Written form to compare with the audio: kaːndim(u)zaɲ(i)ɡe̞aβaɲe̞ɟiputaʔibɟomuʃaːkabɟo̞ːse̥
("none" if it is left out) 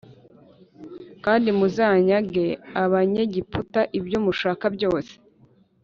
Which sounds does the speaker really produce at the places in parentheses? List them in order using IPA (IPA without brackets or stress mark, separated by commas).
u, a